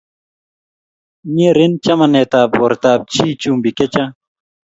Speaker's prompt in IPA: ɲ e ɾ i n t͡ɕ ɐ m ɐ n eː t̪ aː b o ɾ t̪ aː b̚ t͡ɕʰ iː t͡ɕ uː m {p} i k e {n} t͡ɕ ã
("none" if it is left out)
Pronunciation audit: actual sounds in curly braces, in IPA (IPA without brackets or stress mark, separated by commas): b, none